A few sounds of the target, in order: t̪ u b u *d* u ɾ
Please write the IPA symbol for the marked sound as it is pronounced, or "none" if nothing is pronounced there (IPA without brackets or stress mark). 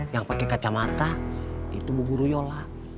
ɡ